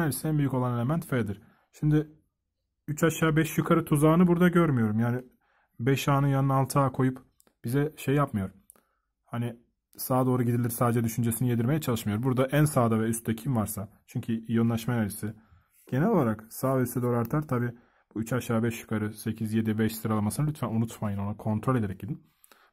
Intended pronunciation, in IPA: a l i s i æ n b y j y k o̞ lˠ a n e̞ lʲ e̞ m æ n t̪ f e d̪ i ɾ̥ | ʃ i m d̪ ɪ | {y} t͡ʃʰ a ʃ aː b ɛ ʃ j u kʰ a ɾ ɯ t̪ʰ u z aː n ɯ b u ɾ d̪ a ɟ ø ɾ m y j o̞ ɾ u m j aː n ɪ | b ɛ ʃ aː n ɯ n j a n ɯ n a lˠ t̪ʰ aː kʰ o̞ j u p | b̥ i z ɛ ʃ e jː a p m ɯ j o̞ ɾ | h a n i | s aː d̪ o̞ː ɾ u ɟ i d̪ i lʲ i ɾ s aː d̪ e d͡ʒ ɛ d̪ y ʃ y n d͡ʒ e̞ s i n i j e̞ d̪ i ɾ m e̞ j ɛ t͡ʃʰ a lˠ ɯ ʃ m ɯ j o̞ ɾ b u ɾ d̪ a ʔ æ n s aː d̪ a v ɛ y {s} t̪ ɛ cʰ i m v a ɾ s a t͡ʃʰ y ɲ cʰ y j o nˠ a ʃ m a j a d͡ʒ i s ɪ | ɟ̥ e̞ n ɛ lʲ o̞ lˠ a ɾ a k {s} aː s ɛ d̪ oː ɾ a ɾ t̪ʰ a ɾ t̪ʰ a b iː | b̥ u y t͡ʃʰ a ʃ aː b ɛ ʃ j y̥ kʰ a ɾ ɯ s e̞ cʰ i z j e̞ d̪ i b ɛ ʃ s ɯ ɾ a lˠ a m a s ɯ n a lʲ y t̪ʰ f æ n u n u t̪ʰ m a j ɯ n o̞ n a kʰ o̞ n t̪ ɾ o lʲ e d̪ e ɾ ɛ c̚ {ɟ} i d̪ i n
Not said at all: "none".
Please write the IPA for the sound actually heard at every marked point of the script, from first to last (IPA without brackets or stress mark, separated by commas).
y, s, s, ɟ